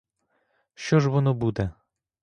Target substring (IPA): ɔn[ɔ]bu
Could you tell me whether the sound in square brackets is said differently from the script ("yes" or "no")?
no